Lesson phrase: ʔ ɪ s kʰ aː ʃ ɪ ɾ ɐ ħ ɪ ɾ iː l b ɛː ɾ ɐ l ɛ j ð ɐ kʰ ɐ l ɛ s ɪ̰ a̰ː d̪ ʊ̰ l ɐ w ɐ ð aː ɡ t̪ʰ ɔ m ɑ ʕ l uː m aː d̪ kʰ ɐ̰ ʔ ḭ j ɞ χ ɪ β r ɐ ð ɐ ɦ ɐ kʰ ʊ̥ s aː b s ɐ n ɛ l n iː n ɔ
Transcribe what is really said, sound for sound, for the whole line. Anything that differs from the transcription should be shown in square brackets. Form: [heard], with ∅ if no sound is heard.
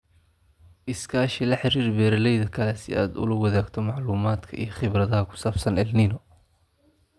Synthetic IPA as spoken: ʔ ɪ s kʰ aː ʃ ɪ [l] ɐ ħ ɪ ɾ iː [r] b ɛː ɾ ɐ l ɛ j ð ɐ kʰ ɐ l ɛ s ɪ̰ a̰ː d̪ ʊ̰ l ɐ w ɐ ð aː ɡ t̪ʰ ɔ m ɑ ʕ l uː m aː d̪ kʰ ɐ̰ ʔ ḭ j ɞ χ ɪ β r ɐ ð ɐ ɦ ɐ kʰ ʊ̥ s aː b s ɐ n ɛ l n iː n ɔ